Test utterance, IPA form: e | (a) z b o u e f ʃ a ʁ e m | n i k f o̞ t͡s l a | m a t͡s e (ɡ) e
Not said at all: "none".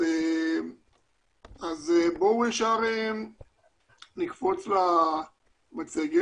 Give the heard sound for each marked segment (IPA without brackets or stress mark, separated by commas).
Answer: a, ɡ